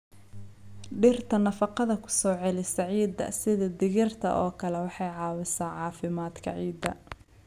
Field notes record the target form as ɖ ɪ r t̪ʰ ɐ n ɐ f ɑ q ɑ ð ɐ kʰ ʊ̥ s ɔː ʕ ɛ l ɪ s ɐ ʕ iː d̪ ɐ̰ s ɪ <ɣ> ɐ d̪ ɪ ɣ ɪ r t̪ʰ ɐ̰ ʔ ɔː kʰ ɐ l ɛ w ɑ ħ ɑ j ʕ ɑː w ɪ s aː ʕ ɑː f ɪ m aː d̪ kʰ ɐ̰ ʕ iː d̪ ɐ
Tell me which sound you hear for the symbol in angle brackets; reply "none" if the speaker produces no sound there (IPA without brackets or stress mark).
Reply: ð